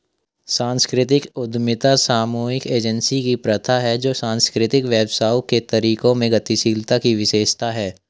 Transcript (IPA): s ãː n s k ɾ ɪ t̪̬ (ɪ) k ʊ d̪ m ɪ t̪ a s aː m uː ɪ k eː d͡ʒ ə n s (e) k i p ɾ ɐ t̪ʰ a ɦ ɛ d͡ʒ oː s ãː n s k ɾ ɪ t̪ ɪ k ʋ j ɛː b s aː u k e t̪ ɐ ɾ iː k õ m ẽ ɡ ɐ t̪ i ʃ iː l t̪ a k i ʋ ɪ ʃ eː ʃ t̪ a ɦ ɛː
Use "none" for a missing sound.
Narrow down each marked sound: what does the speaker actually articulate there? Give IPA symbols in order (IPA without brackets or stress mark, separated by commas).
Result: ɪ, i